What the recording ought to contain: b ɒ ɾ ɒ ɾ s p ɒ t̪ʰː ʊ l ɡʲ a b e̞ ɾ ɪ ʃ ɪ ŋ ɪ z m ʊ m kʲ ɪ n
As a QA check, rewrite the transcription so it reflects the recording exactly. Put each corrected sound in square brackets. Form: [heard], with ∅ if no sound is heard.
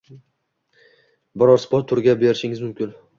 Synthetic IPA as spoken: b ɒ ɾ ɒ ɾ s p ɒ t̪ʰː ʊ [ɾ] ɡʲ a b e̞ ɾ ɪ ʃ ɪ ŋ ɪ z m ʊ m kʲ ɪ n